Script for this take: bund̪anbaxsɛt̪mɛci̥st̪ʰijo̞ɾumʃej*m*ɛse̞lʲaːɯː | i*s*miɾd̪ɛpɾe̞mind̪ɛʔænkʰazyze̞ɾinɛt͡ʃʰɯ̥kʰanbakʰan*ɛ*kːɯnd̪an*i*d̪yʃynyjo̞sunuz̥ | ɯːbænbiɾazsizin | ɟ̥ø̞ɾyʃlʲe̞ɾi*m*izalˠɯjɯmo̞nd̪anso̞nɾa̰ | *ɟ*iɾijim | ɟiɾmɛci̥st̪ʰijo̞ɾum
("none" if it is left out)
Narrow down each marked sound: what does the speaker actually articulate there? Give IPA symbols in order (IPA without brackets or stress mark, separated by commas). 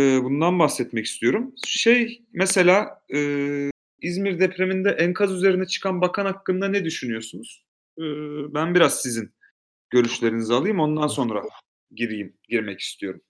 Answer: m, z, a, ɛ, n, ɟ